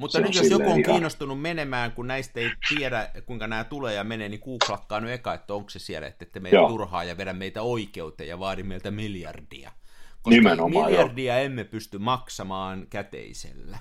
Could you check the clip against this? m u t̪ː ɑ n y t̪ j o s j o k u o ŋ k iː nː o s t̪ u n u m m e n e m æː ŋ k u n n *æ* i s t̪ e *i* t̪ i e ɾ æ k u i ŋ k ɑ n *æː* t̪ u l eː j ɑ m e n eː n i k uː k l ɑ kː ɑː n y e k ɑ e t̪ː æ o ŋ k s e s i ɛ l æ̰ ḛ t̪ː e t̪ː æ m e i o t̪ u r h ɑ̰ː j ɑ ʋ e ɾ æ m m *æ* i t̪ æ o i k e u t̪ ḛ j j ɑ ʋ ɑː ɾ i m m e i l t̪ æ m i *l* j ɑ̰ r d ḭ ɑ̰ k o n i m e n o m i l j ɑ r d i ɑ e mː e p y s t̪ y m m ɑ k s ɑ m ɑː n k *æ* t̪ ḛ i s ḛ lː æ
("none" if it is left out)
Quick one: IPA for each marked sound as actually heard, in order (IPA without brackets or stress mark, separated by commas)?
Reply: æ, i, æː, e, l, æ